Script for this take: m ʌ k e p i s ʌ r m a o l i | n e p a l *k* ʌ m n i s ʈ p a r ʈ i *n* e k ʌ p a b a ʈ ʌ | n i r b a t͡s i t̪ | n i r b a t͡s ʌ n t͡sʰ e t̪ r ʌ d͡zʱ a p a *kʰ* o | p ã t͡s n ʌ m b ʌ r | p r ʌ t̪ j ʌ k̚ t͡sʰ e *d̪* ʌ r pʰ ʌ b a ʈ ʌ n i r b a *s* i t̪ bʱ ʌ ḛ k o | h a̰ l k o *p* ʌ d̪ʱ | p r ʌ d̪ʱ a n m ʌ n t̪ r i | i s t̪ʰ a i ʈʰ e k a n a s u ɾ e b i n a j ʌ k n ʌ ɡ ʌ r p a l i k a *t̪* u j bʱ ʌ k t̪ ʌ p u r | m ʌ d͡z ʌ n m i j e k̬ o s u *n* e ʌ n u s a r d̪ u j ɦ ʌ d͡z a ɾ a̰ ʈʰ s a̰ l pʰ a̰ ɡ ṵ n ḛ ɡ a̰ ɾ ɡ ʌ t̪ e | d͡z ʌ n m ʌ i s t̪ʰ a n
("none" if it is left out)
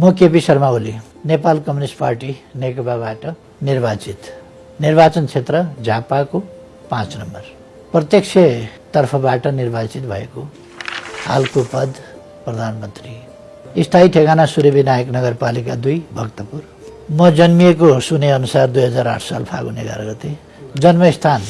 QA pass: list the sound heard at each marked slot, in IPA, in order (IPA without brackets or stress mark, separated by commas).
k, n, k, t̪, t͡s, p, d̪, n